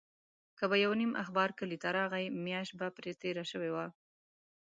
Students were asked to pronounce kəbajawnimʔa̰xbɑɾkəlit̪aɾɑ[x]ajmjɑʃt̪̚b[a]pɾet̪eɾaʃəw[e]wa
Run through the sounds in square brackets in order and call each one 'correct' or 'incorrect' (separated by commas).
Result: incorrect, correct, correct